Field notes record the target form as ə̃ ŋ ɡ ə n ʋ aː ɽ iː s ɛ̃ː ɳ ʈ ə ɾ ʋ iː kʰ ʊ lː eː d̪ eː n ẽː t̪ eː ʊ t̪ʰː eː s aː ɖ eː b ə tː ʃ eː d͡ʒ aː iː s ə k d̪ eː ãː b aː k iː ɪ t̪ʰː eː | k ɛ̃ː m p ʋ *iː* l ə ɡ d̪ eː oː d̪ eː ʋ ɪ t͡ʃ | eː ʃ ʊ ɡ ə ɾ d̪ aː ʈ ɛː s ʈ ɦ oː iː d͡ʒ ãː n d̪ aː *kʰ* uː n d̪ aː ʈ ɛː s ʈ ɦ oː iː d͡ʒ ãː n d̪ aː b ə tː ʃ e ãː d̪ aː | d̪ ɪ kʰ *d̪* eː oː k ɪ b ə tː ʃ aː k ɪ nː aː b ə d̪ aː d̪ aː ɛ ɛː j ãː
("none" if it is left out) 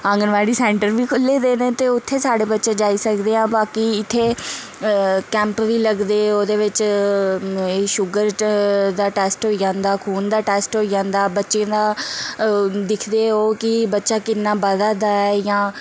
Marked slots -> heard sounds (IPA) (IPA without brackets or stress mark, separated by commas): iː, kʰ, d̪